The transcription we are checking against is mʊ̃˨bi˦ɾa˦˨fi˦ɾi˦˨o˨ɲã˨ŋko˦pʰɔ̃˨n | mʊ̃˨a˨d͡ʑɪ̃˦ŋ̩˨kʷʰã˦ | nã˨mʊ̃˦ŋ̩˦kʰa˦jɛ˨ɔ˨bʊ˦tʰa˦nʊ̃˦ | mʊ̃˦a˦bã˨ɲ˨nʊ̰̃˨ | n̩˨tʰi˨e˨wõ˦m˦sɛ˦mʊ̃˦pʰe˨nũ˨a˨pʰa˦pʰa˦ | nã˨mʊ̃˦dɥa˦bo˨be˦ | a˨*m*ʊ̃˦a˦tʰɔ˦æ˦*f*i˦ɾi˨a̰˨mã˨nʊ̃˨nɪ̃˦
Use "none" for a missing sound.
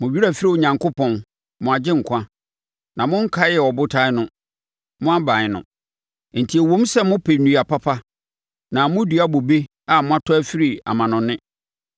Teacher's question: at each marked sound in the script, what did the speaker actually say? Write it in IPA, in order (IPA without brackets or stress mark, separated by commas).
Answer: m, f